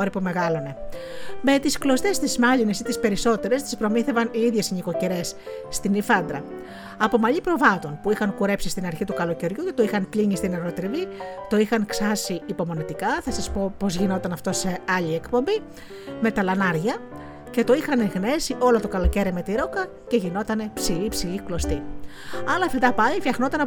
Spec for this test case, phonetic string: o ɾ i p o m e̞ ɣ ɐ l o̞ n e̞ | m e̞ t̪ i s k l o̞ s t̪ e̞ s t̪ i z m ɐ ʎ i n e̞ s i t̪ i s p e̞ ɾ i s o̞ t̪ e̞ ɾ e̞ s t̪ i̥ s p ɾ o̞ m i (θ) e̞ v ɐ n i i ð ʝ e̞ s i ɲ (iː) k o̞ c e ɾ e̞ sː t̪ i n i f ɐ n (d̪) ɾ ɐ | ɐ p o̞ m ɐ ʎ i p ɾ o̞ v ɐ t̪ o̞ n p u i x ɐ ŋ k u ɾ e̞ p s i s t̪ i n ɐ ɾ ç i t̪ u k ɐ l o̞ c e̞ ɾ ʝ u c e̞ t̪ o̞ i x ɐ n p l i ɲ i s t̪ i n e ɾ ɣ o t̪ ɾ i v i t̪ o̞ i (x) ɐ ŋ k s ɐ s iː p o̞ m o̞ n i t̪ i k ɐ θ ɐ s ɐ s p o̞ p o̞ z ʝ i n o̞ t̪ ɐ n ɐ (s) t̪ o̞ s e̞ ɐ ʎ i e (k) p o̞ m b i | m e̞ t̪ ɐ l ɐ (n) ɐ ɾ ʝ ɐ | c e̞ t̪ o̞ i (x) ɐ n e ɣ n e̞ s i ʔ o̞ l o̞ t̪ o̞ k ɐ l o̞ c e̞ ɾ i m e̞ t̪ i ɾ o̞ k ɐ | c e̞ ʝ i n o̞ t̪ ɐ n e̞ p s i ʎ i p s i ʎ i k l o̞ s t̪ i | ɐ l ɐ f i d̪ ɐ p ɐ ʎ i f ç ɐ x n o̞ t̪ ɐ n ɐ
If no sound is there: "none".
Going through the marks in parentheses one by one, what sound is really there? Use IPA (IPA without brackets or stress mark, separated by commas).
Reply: θ, i, d̪, x, f, k, n, x